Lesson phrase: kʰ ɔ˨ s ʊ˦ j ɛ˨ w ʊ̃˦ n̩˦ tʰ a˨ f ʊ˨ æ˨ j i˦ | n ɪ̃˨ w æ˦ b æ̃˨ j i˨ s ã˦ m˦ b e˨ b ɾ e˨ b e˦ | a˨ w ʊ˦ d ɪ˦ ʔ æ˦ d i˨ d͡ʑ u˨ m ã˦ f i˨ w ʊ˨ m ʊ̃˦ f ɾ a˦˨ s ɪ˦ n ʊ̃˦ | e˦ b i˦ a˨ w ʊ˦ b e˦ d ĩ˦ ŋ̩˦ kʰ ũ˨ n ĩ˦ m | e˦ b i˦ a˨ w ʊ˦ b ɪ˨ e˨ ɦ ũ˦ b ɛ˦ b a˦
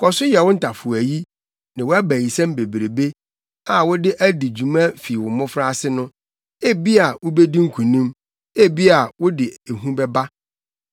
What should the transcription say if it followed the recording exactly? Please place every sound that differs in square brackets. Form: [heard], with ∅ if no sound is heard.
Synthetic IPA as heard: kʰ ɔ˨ s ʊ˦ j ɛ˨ w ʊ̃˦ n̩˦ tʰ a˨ f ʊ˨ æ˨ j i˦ | n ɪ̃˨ w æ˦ b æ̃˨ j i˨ s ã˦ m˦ b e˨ b ɾ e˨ b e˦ | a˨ w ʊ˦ d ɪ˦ ʔ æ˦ d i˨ d͡ʑ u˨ m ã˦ f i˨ w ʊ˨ m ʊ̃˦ f ɾ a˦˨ s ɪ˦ n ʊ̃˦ | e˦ b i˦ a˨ w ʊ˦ b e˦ d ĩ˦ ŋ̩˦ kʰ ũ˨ n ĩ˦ m | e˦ b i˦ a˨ w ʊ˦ [d] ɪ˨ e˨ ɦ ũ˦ b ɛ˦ b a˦